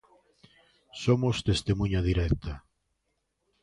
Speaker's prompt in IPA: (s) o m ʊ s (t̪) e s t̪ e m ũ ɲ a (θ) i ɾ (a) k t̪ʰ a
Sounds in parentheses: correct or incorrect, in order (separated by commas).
correct, correct, incorrect, incorrect